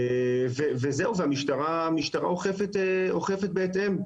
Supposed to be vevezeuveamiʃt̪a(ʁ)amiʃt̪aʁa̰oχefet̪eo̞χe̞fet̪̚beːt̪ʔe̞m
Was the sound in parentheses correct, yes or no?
yes